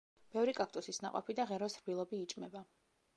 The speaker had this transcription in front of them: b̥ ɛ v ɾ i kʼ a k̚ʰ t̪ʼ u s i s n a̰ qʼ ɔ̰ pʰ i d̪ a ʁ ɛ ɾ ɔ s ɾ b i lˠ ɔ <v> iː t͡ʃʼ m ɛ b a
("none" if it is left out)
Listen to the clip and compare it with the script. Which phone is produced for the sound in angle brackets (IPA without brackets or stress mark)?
b